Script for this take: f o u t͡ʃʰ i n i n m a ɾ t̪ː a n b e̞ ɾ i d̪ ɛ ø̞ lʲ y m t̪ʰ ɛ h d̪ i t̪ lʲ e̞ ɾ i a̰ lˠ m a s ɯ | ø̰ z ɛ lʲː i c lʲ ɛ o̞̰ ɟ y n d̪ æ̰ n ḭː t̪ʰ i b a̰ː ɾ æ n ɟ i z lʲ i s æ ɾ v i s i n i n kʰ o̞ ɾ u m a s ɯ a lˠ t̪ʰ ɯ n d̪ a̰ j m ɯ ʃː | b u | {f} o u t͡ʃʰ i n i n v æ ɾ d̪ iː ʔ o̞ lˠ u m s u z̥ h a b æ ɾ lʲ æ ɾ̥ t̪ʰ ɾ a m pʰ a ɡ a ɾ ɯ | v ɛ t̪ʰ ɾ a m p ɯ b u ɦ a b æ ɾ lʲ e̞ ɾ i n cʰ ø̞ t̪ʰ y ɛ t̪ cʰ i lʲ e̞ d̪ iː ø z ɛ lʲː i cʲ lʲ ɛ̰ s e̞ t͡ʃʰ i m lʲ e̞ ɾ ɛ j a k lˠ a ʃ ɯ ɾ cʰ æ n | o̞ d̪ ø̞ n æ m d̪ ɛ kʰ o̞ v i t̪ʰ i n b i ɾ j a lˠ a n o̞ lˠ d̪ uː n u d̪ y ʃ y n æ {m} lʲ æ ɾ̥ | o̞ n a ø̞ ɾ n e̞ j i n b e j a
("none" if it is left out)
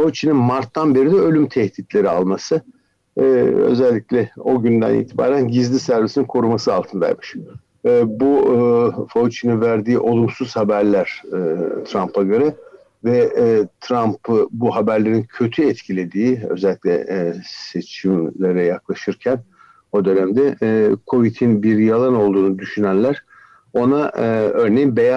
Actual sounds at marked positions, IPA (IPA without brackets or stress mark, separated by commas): f, n